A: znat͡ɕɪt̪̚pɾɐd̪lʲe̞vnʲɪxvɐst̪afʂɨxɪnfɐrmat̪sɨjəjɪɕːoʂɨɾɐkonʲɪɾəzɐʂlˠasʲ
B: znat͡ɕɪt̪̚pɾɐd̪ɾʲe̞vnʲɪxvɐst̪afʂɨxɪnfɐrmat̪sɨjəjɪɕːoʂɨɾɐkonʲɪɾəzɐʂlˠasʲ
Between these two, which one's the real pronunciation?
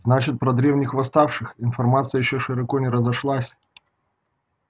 B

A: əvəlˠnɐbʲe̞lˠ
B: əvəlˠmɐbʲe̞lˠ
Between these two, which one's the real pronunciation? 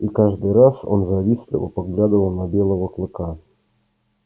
A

